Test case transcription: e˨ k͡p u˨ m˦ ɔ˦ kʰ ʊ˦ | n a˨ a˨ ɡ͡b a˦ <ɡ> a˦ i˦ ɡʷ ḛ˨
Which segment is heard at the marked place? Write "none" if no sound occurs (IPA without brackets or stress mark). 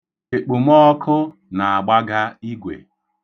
ɡ